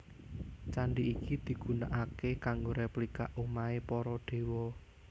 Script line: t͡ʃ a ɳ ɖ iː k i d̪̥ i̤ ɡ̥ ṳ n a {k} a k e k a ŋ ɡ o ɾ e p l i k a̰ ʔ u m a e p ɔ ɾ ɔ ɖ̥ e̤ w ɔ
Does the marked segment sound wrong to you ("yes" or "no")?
yes